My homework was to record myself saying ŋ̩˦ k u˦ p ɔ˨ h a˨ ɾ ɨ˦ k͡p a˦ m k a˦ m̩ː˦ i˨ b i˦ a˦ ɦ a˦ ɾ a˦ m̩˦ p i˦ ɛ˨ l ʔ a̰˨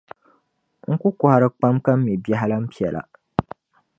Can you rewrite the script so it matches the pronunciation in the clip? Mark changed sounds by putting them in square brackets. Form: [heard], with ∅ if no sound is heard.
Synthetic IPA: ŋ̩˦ k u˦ [k] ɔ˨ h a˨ ɾ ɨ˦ k͡p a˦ m k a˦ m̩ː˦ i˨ b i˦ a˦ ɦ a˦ [l] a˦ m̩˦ p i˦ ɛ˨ l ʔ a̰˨